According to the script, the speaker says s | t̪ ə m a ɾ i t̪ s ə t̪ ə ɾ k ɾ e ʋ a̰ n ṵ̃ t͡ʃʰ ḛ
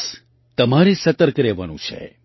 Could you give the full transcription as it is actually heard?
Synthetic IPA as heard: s | t̪ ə m a ɾ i s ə t̪ ə ɾ k ɾ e ʋ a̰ n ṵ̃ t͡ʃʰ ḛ